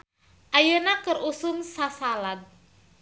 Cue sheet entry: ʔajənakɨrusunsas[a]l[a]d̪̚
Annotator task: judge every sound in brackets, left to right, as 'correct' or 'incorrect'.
correct, correct

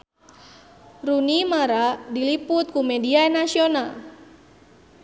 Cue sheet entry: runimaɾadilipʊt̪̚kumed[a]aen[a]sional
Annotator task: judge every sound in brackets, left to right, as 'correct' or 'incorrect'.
incorrect, correct

